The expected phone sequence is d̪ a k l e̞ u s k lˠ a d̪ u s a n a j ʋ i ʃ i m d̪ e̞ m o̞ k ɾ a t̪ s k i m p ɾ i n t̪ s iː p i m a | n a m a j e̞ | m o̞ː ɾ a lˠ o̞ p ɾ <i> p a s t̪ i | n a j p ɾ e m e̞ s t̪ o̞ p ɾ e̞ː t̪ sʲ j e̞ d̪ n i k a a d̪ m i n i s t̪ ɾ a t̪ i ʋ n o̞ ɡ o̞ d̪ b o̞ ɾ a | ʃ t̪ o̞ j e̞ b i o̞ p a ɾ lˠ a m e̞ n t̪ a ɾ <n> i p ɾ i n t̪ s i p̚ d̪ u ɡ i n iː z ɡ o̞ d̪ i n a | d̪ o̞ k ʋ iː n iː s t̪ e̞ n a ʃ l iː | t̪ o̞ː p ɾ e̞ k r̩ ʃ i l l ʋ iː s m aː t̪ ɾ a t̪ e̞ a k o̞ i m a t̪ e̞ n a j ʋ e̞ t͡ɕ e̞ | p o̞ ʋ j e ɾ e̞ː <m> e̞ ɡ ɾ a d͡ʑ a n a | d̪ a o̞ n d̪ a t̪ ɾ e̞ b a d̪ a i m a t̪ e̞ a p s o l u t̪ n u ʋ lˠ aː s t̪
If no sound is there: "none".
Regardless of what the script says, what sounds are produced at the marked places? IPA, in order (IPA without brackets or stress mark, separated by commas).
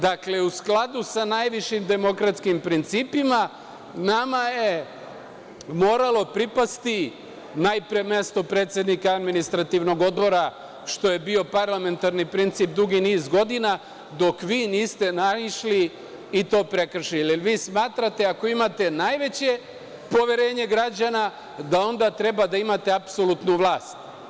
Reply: i, n, ɲ